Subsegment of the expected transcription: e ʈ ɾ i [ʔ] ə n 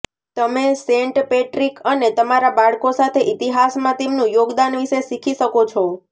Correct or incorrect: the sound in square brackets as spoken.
incorrect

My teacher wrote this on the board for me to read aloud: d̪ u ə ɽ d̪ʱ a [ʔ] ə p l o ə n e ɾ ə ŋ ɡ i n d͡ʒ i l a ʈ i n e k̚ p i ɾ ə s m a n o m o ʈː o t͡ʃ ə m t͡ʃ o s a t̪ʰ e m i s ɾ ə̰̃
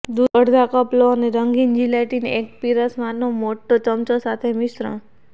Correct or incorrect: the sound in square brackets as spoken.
incorrect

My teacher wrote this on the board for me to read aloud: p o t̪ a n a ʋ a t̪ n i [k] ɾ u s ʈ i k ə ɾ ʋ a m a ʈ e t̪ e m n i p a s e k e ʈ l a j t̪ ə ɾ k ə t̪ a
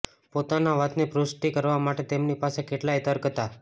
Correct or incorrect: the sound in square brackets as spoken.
incorrect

